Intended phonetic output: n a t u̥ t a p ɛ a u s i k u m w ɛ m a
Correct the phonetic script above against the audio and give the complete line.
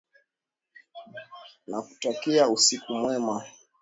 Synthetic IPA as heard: n a k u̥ t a k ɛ a u s i k u m w ɛ m a